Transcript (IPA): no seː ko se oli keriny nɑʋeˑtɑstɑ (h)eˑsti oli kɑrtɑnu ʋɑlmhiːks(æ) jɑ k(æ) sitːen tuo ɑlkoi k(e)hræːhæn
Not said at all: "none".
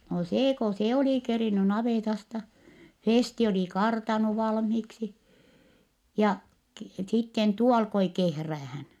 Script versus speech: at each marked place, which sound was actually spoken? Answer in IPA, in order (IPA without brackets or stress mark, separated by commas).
f, i, i, e